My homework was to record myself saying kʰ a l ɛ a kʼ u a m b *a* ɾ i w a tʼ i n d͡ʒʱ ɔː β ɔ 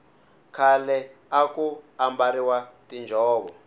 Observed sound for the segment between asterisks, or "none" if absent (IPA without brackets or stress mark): a